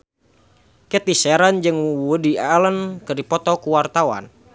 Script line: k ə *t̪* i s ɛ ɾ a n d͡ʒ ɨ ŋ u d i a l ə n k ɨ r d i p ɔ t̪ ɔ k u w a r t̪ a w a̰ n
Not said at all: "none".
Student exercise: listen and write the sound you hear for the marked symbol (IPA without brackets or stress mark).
t̪